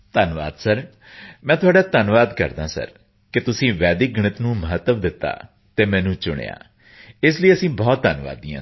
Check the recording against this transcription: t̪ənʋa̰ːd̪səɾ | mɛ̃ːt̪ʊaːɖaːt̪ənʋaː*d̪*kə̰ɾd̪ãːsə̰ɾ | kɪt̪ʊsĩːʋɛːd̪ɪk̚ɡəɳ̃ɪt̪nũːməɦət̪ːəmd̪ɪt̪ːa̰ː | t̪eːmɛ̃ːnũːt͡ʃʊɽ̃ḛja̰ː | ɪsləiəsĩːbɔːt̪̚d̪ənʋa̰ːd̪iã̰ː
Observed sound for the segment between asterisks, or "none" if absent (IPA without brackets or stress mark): d̪